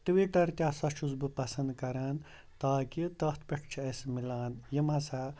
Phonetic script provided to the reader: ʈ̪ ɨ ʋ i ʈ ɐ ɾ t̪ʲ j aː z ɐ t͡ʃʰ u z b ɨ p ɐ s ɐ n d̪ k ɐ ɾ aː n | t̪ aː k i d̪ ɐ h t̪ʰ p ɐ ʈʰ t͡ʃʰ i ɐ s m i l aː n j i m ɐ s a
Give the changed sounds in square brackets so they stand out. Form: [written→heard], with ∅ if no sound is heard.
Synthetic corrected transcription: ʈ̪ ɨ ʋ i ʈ ɐ ɾ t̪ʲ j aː [z→s] ɐ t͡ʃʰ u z b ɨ p ɐ s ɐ n d̪ k ɐ ɾ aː n | t̪ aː k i [d̪→t̪] ɐ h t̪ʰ p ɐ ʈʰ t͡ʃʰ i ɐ s m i l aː n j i m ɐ s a